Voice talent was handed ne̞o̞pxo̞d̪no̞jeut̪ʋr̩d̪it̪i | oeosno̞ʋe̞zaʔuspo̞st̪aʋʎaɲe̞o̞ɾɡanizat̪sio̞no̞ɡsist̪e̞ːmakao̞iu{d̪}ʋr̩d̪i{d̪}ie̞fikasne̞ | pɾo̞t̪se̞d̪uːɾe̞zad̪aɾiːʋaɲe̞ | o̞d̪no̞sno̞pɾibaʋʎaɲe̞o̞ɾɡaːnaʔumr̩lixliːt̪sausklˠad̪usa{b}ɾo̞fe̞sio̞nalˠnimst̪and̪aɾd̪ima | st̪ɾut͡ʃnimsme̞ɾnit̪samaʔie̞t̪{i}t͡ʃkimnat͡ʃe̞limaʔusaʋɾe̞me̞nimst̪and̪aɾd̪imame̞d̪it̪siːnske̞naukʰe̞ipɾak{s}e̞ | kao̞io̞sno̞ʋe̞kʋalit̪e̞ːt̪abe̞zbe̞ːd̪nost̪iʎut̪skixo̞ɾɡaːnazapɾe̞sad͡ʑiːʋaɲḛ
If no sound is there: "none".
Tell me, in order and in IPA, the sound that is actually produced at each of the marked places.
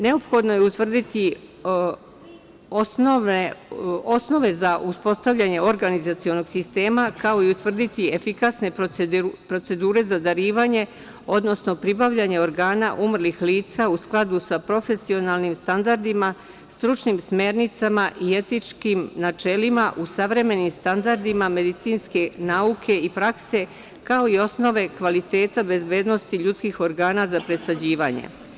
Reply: t̪, t̪, p, i, s

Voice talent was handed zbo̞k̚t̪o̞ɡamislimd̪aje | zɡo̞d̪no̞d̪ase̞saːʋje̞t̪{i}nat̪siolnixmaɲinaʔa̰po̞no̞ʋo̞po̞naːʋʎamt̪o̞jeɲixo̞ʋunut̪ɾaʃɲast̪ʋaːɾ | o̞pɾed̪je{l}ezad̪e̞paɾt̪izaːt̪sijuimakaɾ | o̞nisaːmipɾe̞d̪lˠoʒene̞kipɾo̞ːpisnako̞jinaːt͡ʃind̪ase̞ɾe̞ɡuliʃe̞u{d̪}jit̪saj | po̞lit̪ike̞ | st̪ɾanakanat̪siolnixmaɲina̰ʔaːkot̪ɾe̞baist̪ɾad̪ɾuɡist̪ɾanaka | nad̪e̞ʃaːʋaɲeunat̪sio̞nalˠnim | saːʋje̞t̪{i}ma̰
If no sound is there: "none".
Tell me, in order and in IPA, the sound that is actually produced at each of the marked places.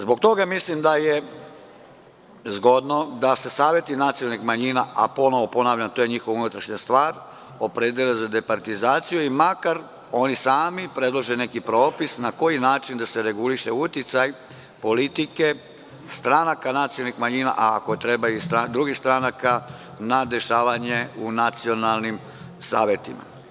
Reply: i, l, t̪, i

